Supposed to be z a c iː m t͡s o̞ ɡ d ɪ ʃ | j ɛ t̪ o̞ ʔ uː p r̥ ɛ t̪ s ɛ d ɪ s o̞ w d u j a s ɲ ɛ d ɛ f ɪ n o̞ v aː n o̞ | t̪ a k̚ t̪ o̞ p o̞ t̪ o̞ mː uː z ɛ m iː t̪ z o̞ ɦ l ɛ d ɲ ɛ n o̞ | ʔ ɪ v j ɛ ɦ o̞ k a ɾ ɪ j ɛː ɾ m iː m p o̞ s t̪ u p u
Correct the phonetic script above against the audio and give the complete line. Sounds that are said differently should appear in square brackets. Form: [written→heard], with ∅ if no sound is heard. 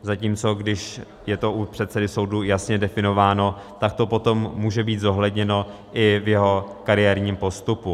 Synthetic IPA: z a c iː m t͡s o̞ ɡ d ɪ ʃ | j ɛ t̪ o̞ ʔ [uː→u] p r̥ ɛ t̪ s ɛ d ɪ s o̞ w d u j a s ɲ ɛ d ɛ f ɪ n o̞ v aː n o̞ | t̪ a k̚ t̪ o̞ p o̞ t̪ o̞ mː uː [z→ʒ] ɛ [m→b] iː t̪ z o̞ ɦ l ɛ d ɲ ɛ n o̞ | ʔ ɪ v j ɛ ɦ o̞ k a ɾ ɪ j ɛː ɾ [m→ɲ] iː m p o̞ s t̪ u p u